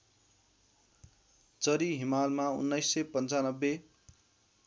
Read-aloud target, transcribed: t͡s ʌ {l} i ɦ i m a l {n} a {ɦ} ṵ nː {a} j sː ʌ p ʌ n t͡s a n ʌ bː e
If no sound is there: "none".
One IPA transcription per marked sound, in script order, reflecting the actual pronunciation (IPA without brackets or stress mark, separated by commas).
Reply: ɾ, m, none, ʌ